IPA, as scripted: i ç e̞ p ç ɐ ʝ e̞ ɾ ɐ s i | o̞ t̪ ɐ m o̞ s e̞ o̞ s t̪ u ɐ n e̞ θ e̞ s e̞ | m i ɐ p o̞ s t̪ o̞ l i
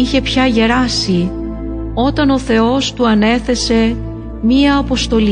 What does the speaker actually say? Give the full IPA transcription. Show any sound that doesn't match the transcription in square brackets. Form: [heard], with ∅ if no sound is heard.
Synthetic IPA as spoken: i ç e̞ p ç ɐ ʝ e̞ ɾ ɐ s i | o̞ t̪ ɐ [n] o̞ [θ] e̞ o̞ s t̪ u ɐ n e̞ θ e̞ s e̞ | m i [ɐː] p o̞ s t̪ o̞ l i